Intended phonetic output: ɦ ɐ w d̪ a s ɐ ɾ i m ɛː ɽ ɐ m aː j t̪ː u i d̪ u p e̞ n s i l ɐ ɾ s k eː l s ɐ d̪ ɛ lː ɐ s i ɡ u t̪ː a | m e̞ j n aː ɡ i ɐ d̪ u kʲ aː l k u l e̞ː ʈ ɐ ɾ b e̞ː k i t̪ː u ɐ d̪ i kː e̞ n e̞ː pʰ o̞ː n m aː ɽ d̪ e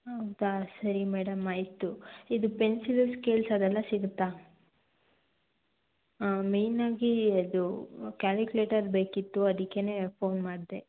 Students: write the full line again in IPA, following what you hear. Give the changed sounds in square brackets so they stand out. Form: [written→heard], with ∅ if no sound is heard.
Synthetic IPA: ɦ ɐ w d̪ a s ɐ ɾ i m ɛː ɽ ɐ m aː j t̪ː u i d̪ u p e̞ n s i l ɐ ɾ s k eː l s ɐ d̪ ɛ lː ɐ s i ɡ u t̪ː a | m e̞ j n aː ɡ i ɐ d̪ u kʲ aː l k u l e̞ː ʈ ɐ ɾ b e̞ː k i t̪ː u ɐ d̪ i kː e̞ n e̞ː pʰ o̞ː n m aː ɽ d̪ e